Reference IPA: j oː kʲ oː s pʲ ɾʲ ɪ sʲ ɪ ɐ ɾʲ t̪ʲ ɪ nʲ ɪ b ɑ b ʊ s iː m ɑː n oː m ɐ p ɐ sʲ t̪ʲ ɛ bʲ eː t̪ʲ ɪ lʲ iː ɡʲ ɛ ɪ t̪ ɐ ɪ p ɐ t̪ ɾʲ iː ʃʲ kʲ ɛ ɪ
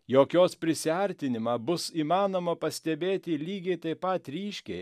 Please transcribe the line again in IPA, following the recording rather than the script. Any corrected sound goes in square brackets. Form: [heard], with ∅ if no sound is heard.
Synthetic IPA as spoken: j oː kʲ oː s pʲ ɾʲ ɪ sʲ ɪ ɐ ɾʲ t̪ʲ ɪ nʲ ɪ [m] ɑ b ʊ s iː m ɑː n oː m ɐ p ɐ sʲ t̪ʲ ɛ bʲ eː t̪ʲ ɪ lʲ iː ɡʲ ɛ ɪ t̪ ɐ ɪ p ɐ t̪ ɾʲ iː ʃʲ kʲ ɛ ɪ